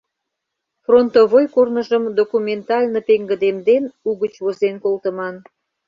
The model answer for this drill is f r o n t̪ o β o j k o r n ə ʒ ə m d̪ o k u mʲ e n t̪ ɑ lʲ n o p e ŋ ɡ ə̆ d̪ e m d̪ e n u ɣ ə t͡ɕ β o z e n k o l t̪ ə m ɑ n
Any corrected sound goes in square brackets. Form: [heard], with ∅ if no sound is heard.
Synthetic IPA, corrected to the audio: f r o n t̪ o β o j k o r n ə ʒ ə m d̪ o k u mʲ e n t̪ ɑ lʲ n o p e ŋ ɡ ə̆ d̪ e m d̪ e n u ɣ ə t͡ɕ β o z e n k o l t̪ ə m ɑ n

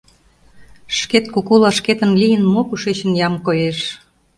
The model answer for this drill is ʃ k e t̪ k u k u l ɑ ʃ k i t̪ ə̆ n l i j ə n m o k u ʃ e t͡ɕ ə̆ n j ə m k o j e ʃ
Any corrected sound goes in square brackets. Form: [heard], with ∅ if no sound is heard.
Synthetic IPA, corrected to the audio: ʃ k e t̪ k u k u l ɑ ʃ k [e] t̪ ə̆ n l i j ə n m o k u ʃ e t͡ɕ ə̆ n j [ɑ] m k o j e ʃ

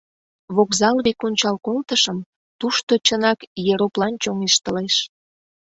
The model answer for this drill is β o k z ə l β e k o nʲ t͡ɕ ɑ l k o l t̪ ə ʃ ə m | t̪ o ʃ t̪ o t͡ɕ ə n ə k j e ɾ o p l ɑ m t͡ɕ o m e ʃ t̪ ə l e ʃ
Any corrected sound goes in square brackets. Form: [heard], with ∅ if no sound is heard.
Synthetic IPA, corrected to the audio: β o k z [ɑ] l β e k o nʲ t͡ɕ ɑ l k o l t̪ ə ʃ ə m | t̪ [u] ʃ t̪ o t͡ɕ ə n [ɑ] k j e ɾ o p l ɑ [n] t͡ɕ o [ŋ] e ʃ t̪ ə l e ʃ

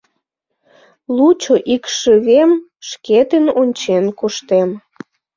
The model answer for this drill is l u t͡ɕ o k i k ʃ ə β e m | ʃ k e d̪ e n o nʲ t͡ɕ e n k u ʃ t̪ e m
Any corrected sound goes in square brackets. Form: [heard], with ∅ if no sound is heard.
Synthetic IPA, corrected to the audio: l u t͡ɕ o [ʔ] i k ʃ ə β e m | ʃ k e [t̪] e n o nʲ t͡ɕ e n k u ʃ t̪ e m

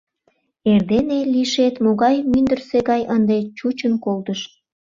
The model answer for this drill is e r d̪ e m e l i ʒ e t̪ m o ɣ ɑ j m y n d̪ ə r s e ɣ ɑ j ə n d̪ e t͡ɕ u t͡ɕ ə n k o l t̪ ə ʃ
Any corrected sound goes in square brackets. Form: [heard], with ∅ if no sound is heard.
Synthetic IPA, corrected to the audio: e r d̪ e [n] e l i [ʃ] e t̪ m o ɣ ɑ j m y n d̪ ə r s e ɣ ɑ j ə n d̪ e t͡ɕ u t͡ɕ ə n k o l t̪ ə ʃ

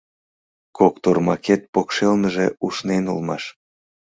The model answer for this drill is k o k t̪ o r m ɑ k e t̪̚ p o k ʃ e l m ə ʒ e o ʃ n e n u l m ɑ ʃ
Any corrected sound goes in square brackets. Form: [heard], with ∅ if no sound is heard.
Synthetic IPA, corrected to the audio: k o k t̪ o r m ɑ k e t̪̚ p o k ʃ e l [n] ə ʒ e [u] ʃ n e n u l m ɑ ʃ

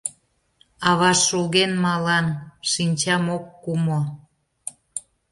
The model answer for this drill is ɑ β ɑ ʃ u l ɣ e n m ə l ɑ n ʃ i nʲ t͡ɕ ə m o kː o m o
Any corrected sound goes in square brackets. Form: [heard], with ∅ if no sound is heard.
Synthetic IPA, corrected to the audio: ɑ β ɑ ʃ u l ɣ e n m [ɑ] l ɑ n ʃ i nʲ t͡ɕ [ɑ] m o kː [u] m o

